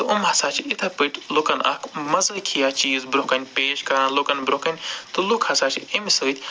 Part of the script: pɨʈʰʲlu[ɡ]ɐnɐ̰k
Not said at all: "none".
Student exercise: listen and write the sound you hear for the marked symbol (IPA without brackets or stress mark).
k